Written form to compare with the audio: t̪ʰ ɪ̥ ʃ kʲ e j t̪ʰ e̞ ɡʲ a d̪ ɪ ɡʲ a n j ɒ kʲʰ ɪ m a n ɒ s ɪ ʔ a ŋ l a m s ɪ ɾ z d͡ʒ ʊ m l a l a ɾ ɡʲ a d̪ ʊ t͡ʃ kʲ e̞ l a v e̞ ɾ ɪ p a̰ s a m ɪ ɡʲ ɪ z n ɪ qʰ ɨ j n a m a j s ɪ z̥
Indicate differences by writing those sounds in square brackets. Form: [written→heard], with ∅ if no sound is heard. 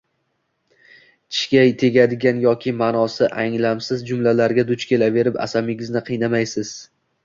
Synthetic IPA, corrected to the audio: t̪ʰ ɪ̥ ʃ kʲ [e→a] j t̪ʰ e̞ ɡʲ a d̪ ɪ ɡʲ a n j ɒ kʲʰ ɪ m a n ɒ s ɪ ʔ a ŋ l a m s ɪ [ɾ→∅] z d͡ʒ ʊ m l a l a ɾ ɡʲ a d̪ ʊ t͡ʃ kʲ e̞ l a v e̞ ɾ ɪ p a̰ s a m ɪ ɡʲ ɪ z n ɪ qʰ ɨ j n a m a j s ɪ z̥